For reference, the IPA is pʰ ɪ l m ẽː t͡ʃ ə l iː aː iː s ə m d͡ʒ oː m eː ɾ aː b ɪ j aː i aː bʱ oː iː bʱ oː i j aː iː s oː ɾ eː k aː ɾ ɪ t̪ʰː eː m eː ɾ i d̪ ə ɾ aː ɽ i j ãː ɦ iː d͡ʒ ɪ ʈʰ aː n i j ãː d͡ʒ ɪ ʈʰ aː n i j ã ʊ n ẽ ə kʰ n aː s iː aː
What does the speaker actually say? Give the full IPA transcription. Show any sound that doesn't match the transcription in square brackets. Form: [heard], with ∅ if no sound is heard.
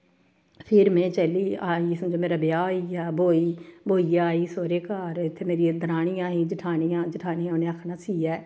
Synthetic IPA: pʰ ɪ [ɾ] m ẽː t͡ʃ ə l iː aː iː s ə m d͡ʒ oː m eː ɾ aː b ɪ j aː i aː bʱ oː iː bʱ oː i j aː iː s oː ɾ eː k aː ɾ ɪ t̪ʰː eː m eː ɾ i d̪ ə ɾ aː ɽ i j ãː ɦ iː d͡ʒ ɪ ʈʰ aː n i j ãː d͡ʒ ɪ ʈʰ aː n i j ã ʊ n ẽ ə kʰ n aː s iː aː